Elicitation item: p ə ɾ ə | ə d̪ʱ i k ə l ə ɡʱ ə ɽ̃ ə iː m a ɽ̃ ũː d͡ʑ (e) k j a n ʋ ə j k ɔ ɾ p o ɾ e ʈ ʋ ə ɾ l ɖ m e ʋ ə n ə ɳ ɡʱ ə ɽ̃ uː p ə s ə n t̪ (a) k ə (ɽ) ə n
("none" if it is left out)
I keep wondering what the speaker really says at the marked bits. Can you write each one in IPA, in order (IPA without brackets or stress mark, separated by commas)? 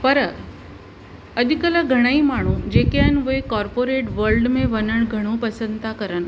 e, a, ɾ